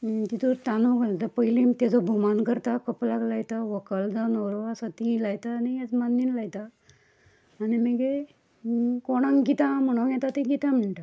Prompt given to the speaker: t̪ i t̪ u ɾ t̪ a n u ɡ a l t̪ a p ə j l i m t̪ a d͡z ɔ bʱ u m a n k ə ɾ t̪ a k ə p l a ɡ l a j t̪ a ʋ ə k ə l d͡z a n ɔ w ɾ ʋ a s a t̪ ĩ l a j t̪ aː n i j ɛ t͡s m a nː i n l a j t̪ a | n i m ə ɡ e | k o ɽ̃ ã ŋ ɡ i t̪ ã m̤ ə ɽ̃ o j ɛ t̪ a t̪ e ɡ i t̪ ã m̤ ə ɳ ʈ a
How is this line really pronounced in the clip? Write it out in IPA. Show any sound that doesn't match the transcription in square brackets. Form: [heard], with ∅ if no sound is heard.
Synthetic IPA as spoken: t̪ i t̪ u ɾ t̪ a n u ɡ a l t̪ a p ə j l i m t̪ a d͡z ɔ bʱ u m a n k ə ɾ t̪ a k ə p l a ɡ l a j t̪ a ʋ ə k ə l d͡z a n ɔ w ɾ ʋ a s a t̪ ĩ l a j t̪ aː n i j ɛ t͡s m a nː i n l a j t̪ a | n i m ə ɡ e | k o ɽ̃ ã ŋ ɡ i t̪ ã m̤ ə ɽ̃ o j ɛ t̪ a t̪ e ɡ i t̪ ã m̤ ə ɳ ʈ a

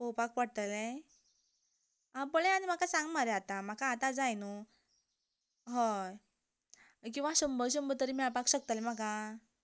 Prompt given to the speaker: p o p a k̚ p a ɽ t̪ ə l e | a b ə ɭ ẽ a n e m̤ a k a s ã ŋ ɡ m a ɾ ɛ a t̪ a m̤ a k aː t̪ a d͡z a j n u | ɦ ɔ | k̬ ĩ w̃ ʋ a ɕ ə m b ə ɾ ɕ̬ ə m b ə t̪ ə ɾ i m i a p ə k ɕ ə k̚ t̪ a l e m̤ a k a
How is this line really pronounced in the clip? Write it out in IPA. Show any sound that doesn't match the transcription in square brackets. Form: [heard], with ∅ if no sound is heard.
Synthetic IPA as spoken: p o p a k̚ p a ɽ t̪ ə l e | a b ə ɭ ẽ a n [i] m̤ a k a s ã ŋ ɡ m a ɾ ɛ a t̪ a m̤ a k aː t̪ a d͡z a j n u | ɦ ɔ | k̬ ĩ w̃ ʋ a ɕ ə m b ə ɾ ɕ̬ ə m b ə t̪ ə ɾ i m i a p [a] k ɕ ə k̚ t̪ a l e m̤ a k a

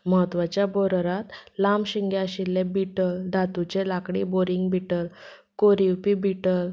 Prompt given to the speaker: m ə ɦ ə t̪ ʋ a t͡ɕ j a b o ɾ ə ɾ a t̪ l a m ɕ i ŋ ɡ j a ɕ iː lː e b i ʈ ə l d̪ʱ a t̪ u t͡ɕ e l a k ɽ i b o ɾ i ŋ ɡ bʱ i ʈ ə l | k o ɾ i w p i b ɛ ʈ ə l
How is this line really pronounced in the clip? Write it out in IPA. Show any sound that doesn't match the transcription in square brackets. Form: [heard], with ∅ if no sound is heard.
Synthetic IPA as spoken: m ə ɦ ə t̪ ʋ a t͡ɕ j a b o ɾ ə ɾ a t̪ l a m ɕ i ŋ ɡ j a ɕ [i] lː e b i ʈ ə l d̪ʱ a t̪ u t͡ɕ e l a k ɽ i b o ɾ i ŋ ɡ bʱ i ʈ ə l | k o ɾ i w p i b [i] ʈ ə l

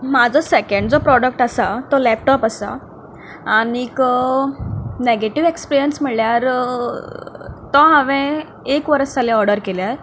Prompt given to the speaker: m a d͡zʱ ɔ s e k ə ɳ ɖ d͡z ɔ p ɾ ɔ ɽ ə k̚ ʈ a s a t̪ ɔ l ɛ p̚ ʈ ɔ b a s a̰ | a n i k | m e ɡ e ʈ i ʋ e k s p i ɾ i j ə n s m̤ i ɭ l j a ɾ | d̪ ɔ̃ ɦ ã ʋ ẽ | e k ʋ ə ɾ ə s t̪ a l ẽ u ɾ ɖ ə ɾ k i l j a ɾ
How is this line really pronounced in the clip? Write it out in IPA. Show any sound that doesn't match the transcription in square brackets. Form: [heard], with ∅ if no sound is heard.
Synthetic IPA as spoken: m a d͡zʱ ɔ s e k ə ɳ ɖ d͡z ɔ p ɾ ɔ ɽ ə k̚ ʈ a s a t̪ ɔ l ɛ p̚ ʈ ɔ [p] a s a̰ | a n i k | [n] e ɡ e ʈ i ʋ e k s p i ɾ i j ə n s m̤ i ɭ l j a ɾ | [t̪] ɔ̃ ɦ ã ʋ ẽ | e k ʋ ə ɾ ə s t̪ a l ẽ [ɔ] ɾ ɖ ə ɾ k [e] l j a ɾ

